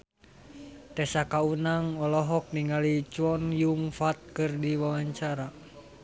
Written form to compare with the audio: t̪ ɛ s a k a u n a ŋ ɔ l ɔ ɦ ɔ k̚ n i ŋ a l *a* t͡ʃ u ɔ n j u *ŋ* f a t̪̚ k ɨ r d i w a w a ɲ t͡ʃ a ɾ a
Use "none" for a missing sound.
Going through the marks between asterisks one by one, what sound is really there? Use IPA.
i, ŋ

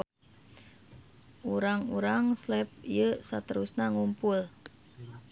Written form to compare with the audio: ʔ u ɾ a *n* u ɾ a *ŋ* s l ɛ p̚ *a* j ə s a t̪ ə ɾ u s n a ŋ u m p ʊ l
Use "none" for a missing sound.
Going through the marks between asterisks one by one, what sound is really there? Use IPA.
ŋ, ŋ, i

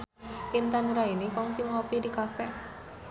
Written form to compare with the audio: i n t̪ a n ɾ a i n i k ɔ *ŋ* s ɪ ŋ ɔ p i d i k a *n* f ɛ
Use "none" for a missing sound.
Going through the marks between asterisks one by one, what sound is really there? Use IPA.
ŋ, none

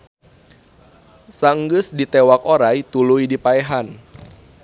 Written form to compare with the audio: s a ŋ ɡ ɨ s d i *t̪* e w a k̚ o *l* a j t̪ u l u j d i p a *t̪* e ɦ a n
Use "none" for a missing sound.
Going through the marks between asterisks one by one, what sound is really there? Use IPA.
t̪, ɾ, none

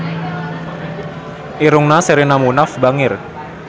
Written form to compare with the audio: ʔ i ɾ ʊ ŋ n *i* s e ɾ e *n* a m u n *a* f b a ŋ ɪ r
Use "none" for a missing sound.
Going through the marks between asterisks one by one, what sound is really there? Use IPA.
a, n, a

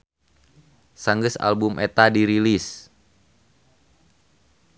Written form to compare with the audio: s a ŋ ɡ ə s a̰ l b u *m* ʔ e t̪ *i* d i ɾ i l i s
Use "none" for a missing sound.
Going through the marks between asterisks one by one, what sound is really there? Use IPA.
m, a

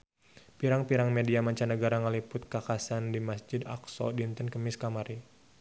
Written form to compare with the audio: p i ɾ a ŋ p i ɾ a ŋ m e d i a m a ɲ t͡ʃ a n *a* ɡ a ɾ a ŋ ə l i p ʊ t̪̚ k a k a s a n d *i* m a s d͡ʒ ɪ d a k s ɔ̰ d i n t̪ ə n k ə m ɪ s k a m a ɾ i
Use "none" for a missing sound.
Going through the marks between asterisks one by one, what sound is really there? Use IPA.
ə, i

